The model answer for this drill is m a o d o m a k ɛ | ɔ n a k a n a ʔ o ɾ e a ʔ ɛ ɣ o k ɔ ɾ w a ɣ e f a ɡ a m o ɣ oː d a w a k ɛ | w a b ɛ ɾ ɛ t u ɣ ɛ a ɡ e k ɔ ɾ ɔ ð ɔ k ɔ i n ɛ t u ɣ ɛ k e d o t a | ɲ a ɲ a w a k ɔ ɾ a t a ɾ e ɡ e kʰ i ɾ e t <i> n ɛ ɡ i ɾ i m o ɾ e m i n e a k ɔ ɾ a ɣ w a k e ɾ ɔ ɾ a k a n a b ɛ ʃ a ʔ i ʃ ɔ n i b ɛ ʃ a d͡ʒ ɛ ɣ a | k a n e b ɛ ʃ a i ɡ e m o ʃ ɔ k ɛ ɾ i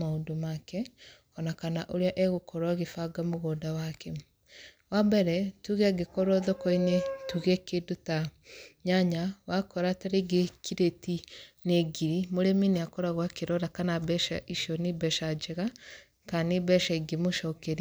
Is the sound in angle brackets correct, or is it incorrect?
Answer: correct